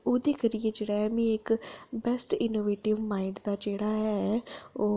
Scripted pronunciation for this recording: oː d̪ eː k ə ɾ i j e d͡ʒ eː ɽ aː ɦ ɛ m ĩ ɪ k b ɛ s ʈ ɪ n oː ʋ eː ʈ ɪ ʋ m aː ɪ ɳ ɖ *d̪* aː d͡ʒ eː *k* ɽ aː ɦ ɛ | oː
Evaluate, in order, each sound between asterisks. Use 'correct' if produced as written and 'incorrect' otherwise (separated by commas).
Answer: correct, incorrect